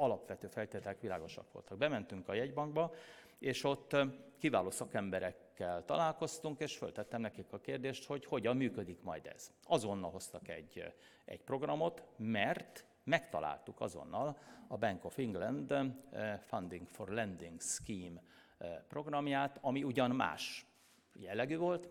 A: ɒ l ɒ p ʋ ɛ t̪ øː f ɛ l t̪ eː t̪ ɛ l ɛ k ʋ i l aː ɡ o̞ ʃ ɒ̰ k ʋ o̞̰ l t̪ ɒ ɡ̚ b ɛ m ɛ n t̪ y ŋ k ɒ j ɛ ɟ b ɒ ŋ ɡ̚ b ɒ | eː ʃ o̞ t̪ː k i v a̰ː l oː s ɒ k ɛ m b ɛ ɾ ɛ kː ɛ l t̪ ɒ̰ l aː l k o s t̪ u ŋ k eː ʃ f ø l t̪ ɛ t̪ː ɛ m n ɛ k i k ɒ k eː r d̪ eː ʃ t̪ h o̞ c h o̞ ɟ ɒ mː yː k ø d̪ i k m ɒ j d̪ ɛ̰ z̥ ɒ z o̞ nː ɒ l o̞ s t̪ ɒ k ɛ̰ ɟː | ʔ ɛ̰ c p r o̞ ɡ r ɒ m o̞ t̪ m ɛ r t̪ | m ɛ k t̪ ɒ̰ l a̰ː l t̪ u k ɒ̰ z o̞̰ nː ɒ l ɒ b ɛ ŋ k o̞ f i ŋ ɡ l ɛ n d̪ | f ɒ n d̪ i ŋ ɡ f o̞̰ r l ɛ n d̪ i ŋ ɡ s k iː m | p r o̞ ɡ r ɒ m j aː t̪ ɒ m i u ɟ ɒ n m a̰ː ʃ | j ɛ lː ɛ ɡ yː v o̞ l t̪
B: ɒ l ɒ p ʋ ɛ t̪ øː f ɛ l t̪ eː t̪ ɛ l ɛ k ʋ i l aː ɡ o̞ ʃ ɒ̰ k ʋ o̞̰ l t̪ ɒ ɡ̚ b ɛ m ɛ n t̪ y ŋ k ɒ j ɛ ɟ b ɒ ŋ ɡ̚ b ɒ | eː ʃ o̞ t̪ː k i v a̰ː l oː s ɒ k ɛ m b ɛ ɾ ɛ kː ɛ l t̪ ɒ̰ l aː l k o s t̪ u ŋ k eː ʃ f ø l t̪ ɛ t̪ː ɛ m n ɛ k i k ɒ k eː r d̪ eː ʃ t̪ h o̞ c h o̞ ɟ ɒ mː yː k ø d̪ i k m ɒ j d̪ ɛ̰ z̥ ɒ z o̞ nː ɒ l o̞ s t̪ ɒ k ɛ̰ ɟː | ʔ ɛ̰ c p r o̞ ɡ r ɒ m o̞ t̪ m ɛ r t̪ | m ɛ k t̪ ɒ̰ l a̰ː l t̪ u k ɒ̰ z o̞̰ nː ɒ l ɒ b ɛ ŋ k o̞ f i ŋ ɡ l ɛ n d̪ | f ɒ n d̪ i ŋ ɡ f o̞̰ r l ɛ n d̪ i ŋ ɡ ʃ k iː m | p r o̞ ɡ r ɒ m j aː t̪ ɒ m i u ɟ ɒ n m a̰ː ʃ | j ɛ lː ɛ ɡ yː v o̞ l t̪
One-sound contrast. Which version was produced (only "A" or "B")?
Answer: A